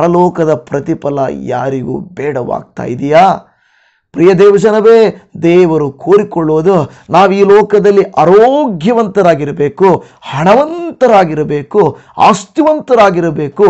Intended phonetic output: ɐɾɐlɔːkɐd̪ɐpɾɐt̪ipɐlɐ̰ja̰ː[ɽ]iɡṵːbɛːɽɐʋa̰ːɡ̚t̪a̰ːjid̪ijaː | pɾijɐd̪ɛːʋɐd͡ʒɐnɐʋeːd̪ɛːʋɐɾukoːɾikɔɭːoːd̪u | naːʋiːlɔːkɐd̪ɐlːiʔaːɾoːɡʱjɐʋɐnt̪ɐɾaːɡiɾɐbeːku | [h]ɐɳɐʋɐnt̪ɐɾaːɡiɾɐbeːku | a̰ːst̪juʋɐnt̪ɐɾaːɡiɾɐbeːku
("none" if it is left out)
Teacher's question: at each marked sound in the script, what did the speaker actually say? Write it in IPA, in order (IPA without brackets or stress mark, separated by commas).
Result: ɾ, h